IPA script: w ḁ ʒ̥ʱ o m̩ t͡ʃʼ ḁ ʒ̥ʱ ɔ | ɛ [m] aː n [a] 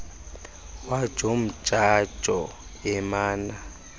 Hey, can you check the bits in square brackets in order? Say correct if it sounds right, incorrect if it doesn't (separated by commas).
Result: correct, correct